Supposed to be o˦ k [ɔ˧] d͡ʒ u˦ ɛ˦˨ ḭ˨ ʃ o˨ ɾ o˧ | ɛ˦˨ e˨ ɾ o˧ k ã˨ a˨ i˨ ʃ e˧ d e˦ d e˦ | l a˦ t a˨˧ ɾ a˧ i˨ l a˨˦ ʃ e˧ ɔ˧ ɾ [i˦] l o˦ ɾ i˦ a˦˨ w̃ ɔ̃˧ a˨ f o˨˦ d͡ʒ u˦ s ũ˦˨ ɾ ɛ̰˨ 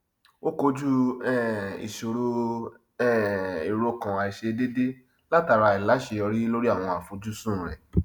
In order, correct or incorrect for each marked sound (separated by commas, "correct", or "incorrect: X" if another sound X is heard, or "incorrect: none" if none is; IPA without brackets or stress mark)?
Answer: incorrect: o˧, correct